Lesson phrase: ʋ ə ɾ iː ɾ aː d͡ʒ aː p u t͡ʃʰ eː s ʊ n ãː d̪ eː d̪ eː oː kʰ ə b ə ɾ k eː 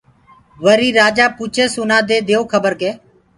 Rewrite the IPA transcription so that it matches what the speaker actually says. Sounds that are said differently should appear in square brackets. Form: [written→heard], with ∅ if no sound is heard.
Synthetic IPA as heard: ʋ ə ɾ iː ɾ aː d͡ʒ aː p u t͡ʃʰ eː s ʊ n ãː d̪ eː d̪ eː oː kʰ ə b ə ɾ k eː